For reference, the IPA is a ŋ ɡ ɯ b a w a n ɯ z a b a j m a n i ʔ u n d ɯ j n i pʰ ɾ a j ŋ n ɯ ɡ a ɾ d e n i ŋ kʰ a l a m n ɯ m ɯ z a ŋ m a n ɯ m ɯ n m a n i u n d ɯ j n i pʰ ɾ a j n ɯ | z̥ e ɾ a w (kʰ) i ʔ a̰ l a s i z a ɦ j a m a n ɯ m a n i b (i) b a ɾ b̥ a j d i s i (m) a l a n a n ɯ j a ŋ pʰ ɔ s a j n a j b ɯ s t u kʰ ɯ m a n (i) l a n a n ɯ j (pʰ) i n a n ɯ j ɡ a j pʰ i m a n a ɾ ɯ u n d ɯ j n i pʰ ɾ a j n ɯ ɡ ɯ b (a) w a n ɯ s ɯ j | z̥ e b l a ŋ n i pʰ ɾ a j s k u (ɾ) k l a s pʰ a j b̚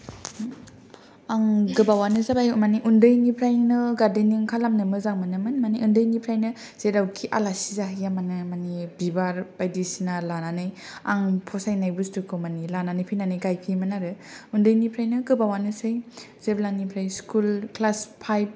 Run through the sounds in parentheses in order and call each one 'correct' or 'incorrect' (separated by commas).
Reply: correct, correct, incorrect, correct, correct, correct, incorrect